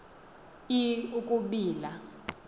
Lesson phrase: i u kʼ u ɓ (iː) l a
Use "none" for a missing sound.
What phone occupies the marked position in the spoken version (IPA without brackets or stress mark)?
iː